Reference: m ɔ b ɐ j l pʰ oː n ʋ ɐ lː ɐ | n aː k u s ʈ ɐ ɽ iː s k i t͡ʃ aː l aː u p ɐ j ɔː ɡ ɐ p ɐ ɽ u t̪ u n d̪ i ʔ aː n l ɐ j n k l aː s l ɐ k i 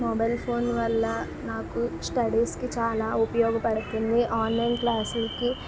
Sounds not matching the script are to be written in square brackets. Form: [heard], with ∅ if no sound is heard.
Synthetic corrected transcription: m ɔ b ɐ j l pʰ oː n ʋ ɐ lː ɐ | n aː k u s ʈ ɐ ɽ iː s k i t͡ʃ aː l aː u p ɐ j ɔː ɡ ɐ p ɐ ɽ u t̪ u n d̪ i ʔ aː n l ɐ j n k l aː s l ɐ k i